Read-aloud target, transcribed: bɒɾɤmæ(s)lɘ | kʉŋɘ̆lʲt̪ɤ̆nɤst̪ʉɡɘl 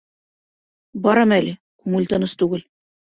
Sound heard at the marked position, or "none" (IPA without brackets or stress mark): none